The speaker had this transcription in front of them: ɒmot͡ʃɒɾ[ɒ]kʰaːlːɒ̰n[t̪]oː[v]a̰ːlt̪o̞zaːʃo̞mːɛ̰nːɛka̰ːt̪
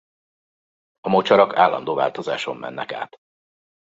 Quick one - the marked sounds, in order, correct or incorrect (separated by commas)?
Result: correct, incorrect, correct